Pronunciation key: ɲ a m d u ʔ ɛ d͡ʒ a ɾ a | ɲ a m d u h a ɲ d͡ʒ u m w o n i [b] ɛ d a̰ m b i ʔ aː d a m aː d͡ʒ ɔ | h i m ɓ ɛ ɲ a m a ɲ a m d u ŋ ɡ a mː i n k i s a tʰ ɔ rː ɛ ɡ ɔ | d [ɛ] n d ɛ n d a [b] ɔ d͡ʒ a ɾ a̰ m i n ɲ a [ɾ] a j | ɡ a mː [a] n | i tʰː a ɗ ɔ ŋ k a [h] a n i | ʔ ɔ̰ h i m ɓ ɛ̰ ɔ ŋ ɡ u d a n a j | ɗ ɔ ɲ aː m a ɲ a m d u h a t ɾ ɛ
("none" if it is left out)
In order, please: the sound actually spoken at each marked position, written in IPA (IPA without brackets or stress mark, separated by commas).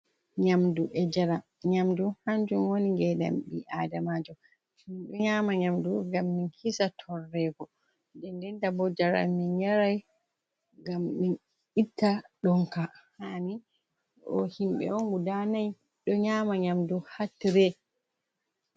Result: ɡ, ɛ, b, ɾ, i, h